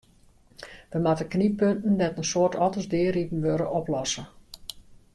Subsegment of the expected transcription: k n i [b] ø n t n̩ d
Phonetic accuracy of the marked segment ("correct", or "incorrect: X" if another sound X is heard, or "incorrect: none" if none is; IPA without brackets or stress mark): incorrect: p